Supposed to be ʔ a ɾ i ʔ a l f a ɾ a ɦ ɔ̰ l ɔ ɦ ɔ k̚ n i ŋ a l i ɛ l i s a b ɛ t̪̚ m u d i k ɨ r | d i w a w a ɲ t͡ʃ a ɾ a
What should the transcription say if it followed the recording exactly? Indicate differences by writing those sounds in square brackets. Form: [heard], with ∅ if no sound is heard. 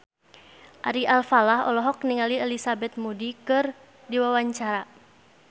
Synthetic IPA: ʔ a ɾ i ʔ a l f a [l] a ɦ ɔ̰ l ɔ ɦ ɔ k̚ n i ŋ a l i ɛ l i s a b ɛ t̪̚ m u d i k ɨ r | d i w a w a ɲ t͡ʃ a ɾ a